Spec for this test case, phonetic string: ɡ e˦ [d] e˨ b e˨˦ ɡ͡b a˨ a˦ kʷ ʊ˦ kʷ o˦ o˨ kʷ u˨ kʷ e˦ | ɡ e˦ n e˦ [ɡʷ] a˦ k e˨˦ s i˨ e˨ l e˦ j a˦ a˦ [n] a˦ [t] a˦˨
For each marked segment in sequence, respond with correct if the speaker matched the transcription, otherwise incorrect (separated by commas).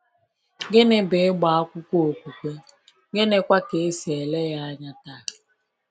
incorrect, incorrect, incorrect, correct